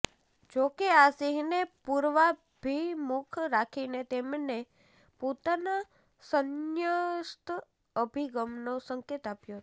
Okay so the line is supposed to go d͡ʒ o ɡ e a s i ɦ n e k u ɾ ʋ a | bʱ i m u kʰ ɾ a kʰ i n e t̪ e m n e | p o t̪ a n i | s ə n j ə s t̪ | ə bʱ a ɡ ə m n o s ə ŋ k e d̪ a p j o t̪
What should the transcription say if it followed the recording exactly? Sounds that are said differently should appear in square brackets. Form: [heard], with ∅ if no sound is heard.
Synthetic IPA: d͡ʒ o [k] e a s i ɦ n e [p] u ɾ ʋ a | bʱ i m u kʰ ɾ a kʰ i n e t̪ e m n e | p o t̪ a n [a] | s ə n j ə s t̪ | ə bʱ [i] ɡ ə m n o s ə ŋ k e [t̪] a p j o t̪